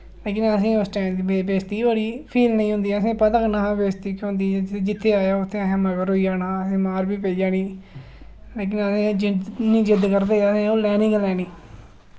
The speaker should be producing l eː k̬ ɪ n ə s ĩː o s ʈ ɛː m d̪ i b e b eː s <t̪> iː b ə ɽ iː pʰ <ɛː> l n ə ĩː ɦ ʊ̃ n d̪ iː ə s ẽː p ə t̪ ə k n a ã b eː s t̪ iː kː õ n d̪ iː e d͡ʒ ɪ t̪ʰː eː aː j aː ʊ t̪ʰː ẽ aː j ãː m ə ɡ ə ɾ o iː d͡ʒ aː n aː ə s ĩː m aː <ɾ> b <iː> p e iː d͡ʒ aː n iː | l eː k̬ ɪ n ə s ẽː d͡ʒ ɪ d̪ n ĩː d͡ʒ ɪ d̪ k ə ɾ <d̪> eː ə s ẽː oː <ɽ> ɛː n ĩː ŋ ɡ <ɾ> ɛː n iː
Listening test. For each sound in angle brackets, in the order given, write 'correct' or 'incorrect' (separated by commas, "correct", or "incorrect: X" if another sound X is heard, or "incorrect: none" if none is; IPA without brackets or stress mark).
correct, incorrect: iː, correct, correct, correct, incorrect: l, incorrect: l